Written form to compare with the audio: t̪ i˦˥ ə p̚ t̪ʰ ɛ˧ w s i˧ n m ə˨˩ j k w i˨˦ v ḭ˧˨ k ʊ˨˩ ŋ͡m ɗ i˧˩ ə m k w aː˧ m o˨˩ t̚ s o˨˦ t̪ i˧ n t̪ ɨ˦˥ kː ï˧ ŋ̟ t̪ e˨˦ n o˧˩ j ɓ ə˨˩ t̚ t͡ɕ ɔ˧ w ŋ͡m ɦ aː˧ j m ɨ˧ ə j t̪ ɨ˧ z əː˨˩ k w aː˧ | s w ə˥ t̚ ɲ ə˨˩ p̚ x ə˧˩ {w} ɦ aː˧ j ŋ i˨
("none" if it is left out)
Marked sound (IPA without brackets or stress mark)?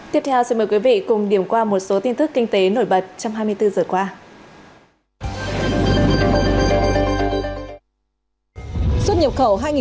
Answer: w